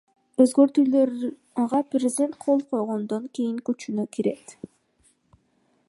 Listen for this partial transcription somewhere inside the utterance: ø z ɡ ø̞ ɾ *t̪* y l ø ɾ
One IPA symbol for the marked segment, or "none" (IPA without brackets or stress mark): t̪